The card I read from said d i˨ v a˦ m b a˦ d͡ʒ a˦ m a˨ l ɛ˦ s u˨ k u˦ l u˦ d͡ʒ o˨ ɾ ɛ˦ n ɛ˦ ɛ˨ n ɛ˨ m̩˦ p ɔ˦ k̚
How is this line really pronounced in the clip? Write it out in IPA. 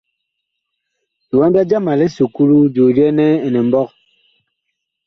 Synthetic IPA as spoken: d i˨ w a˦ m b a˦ d͡ʒ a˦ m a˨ l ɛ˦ s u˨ k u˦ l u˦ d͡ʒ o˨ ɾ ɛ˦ n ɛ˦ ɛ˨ n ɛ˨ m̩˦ b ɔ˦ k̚